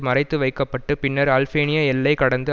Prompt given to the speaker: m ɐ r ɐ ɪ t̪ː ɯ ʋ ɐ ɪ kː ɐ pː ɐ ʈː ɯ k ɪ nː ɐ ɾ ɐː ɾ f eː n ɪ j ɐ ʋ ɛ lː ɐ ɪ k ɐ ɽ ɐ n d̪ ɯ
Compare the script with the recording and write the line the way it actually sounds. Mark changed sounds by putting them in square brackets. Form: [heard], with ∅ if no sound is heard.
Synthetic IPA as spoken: m ɐ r ɐ ɪ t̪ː ɯ ʋ ɐ ɪ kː ɐ pː ɐ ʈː ɯ [p] ɪ nː ɐ ɾ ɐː [l] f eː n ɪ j ɐ [∅] ɛ lː ɐ ɪ k ɐ ɽ ɐ n d̪ ɯ